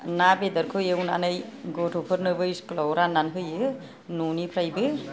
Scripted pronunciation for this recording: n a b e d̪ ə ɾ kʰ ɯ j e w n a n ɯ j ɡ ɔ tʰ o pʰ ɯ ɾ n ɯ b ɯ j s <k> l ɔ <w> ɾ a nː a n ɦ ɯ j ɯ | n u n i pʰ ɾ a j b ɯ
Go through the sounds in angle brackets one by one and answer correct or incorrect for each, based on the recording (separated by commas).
correct, correct